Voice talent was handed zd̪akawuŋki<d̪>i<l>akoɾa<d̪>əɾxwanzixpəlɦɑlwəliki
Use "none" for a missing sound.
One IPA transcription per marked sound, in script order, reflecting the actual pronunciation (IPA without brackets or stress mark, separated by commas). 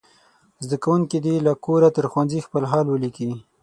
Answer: d̪, l, t̪